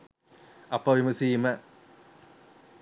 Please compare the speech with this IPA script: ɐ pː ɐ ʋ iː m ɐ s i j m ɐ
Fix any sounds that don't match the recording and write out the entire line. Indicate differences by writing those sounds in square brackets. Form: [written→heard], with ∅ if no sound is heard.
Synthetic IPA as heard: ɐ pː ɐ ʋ [iː→i] m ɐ s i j m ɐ